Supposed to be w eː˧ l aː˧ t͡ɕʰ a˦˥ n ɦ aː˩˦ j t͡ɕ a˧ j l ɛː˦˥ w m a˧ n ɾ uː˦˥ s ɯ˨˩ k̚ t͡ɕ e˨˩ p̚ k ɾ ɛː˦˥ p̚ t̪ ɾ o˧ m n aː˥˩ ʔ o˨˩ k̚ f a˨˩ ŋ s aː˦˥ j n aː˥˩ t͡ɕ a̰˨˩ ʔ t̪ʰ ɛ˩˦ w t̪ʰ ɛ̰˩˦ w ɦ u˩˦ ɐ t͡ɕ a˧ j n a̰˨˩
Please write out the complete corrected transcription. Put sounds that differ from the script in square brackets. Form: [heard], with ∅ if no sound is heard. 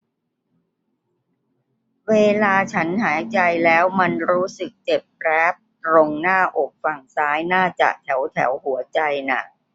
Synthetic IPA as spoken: w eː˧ l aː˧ t͡ɕʰ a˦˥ n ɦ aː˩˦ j t͡ɕ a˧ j l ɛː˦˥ w m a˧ n ɾ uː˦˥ s ɯ˨˩ k̚ t͡ɕ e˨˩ p̚ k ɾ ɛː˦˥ p̚ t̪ ɾ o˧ [ŋ] n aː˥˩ ʔ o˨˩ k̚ f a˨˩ ŋ s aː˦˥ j n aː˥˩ t͡ɕ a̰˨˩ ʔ t̪ʰ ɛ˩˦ w t̪ʰ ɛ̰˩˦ w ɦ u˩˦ ɐ t͡ɕ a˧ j n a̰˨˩